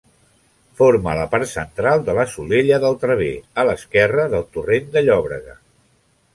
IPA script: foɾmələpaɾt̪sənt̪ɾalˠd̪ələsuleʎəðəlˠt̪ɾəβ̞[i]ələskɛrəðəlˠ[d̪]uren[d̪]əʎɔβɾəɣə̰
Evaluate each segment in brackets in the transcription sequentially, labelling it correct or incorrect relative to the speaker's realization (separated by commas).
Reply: incorrect, incorrect, correct